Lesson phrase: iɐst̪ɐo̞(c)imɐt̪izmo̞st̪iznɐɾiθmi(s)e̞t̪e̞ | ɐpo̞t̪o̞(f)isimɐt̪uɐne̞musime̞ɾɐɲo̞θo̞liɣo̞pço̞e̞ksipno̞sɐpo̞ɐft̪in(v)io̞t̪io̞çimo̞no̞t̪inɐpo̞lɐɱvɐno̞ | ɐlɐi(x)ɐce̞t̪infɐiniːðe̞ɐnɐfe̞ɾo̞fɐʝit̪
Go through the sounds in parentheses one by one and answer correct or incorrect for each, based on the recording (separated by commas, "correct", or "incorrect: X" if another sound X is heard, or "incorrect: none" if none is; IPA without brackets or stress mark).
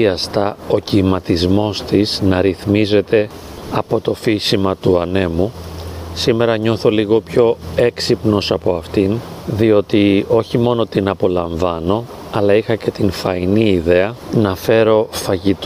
correct, incorrect: z, correct, incorrect: ð, correct